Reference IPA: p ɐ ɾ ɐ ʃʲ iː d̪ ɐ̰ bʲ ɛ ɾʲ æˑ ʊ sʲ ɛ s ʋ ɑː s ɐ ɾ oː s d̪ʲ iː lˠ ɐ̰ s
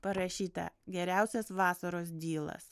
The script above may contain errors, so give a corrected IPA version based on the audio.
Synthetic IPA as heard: p ɐ ɾ ɐ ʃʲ iː t̪ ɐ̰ ɡʲ ɛ ɾʲ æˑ ʊ sʲ ɛ s ʋ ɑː s ɐ ɾ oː s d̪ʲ iː lˠ ɐ̰ s